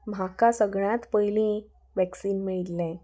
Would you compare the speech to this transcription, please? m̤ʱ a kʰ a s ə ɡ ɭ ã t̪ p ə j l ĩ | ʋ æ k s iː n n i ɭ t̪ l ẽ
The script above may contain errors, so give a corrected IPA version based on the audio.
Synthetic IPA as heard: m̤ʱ a k a s ə ɡ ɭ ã t̪ p ə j l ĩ | ʋ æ k s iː n m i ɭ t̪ l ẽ